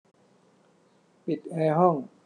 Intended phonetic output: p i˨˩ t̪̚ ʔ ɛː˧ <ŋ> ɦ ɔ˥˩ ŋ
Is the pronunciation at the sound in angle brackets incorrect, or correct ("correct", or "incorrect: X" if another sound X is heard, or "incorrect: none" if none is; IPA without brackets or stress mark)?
incorrect: none